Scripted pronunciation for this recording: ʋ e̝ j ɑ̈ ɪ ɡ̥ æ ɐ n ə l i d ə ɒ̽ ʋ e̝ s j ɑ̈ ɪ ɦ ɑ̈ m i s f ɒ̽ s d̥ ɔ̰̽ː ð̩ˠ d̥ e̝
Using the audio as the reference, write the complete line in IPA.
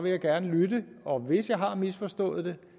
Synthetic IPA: ʋ e̝ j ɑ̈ ɪ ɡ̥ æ ɐ n ə l y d ə ɒ̽ ʋ e̝ s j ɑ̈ ɪ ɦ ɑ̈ m i s f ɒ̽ s d̥ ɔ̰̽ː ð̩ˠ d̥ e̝

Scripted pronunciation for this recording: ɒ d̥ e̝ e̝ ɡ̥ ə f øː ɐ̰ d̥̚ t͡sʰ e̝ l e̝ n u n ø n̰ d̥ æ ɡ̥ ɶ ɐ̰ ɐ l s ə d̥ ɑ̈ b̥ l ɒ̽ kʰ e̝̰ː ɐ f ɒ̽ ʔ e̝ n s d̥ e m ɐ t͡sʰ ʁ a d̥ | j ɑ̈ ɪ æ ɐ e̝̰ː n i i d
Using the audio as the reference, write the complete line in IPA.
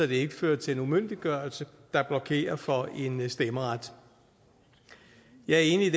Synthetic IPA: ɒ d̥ e̝ e̝ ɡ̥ ə f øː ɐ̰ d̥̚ t͡sʰ e̝ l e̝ n u m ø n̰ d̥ i ɡ̥ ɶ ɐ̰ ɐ l s ə d̥ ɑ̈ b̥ l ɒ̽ kʰ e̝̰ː ɐ f ɒ̽ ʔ e̝ n s d̥ e m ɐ ʁ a d̥ | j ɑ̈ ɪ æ ɐ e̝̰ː n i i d

